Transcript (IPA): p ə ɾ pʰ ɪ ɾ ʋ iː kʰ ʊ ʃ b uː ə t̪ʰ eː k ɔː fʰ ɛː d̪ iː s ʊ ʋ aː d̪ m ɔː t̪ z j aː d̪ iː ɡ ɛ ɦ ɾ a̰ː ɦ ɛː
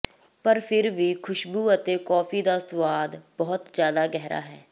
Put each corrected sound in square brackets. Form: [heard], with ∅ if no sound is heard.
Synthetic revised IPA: p ə ɾ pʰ ɪ ɾ ʋ iː kʰ ʊ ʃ b uː ə [t̪] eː k ɔː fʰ [iː] d̪ [aː] s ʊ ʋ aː d̪ [b] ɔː t̪ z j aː d̪ [aː] ɡ ɛ ɦ ɾ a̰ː ɦ ɛː